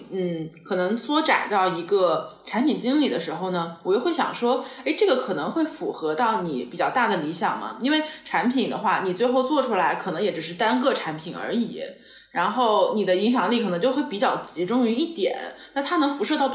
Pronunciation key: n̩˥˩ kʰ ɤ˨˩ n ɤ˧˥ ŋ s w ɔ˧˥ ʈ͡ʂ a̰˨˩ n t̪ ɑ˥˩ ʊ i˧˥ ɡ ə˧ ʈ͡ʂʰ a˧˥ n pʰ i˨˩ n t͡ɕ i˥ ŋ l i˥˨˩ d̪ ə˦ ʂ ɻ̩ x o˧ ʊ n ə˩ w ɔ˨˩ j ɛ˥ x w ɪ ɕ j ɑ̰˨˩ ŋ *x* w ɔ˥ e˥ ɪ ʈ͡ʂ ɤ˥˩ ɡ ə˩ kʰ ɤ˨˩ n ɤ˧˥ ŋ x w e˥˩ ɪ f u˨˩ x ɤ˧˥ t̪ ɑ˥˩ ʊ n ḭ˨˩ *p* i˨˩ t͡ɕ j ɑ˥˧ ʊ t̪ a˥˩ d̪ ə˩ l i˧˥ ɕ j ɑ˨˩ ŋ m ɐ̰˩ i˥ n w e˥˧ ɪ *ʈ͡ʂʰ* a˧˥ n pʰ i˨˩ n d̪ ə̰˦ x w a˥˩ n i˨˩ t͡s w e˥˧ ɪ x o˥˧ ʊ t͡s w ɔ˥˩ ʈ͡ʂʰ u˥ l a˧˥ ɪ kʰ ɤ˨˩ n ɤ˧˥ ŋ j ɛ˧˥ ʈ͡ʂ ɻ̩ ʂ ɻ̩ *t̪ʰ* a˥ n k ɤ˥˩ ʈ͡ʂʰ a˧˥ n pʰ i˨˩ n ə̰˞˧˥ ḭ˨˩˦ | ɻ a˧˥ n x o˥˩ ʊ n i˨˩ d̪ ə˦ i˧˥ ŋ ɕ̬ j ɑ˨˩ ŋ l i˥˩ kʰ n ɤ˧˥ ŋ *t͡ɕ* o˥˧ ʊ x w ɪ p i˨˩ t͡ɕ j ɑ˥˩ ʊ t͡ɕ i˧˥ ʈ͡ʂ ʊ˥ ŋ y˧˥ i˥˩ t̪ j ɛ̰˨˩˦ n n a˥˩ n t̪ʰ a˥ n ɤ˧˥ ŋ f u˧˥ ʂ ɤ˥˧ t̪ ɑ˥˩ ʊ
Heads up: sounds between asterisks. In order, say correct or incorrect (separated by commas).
incorrect, correct, correct, incorrect, correct